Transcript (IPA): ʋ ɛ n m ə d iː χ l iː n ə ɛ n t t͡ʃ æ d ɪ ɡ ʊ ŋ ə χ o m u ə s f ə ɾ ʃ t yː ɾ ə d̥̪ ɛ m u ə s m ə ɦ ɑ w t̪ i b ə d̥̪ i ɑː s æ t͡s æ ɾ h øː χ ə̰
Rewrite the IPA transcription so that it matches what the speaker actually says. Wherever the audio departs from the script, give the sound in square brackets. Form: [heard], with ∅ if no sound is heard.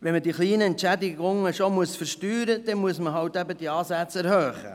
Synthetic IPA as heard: ʋ ɛ n m ə d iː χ l iː n ə ɛ n t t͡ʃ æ d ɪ ɡ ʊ ŋ ə [ʃ] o m u ə s f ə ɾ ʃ t yː ɾ ə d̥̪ ɛ m u ə s m ə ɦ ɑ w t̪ [æ] b ə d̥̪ i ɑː s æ t͡s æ ɾ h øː χ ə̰